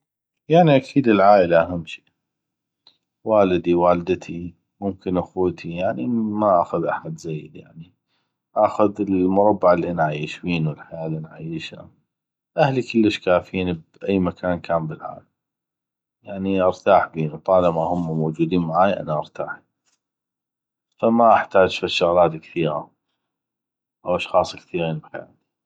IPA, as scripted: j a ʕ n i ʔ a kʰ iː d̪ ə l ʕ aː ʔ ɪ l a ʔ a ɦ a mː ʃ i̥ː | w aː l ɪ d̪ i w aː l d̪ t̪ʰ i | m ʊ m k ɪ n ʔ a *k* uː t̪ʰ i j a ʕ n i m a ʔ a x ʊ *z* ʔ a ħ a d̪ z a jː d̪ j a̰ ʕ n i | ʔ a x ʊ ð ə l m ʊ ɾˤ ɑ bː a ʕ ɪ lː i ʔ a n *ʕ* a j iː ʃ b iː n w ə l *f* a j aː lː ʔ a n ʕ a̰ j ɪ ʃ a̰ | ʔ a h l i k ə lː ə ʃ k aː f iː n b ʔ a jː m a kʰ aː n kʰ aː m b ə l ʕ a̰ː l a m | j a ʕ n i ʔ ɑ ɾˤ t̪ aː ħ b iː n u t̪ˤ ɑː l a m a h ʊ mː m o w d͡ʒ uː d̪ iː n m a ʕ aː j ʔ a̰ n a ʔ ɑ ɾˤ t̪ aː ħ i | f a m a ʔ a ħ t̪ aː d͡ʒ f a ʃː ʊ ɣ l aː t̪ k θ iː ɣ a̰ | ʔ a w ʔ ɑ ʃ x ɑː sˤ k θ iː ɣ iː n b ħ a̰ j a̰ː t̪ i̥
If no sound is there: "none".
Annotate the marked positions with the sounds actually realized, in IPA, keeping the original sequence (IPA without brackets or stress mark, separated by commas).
x, ð, ʕ, ħ